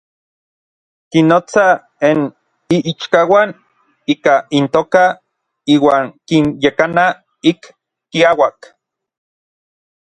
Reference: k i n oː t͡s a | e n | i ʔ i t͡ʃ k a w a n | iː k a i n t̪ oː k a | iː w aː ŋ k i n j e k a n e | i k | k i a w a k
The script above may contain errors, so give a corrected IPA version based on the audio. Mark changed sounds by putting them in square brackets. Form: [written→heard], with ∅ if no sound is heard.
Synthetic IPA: k i n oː t͡s a | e n | i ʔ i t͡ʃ k a w a n | iː k a i n t̪ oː k a | iː w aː ŋ k i n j e k a n [e→a] | i k | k i a w a k